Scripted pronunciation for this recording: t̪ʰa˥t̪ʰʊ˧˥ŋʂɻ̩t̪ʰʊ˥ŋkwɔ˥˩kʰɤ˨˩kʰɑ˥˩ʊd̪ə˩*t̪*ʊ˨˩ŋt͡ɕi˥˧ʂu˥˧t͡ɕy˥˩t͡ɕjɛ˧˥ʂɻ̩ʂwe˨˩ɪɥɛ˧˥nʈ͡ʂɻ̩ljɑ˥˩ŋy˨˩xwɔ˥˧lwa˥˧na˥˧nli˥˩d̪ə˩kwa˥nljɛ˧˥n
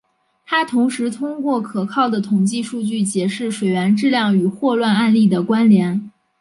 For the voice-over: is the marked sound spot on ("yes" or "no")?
no